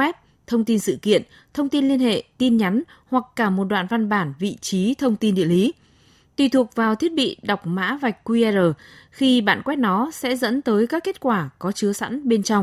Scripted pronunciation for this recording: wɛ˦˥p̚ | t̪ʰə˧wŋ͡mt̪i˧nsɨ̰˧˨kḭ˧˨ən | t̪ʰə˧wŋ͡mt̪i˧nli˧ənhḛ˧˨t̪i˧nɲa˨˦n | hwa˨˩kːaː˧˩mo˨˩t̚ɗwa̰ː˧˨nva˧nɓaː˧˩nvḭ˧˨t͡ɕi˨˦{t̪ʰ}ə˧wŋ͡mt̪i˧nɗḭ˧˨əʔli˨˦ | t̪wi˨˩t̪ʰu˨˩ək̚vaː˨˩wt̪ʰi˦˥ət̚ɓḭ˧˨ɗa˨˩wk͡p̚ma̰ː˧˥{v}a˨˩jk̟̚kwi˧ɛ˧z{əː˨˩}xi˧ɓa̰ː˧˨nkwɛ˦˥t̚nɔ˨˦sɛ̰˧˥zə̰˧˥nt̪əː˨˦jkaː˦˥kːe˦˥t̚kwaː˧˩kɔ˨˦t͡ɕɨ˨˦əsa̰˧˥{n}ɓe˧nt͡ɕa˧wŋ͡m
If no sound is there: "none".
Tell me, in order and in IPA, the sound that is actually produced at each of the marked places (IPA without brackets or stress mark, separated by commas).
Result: t̪ʰ, v, əː˨˩, n